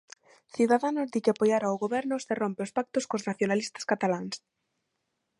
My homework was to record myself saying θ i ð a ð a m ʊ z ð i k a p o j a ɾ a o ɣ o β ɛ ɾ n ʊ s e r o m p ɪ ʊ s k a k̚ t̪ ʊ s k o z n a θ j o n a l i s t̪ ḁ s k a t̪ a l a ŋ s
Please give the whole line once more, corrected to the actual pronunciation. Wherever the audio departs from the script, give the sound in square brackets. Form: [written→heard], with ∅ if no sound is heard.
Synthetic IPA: θ i ð a ð a [m→n] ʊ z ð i k a p o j a ɾ a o ɣ o β ɛ ɾ n ʊ s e r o m p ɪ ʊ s [k→p] a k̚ t̪ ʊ s k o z n a θ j o n a l i s t̪ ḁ s k a t̪ a l a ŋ s